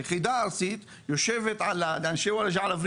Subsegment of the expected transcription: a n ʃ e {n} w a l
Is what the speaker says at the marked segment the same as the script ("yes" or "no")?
no